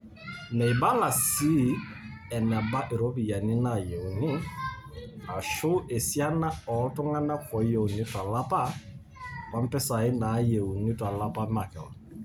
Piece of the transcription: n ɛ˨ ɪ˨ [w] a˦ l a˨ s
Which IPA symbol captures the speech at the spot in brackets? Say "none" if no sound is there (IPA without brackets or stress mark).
b